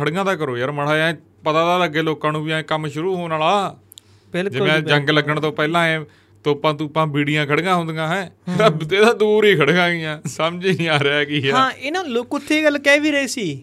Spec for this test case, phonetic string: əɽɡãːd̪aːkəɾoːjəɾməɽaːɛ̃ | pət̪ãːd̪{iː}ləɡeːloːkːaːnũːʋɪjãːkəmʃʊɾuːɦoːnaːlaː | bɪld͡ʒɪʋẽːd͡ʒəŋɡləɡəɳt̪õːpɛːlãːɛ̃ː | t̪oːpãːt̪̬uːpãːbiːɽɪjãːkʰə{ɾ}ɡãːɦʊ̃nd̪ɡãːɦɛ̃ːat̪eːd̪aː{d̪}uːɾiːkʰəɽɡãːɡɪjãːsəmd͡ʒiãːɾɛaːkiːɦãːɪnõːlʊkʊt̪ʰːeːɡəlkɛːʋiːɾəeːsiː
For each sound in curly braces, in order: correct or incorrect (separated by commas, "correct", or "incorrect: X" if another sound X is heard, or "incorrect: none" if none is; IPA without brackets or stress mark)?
incorrect: aː, incorrect: ɽ, correct